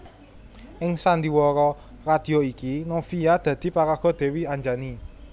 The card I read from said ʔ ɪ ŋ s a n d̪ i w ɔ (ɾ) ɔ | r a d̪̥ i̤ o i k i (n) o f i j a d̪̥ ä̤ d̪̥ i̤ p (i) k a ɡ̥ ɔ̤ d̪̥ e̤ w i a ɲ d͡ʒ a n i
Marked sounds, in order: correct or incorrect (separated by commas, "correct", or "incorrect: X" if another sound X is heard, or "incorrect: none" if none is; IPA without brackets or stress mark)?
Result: correct, correct, incorrect: a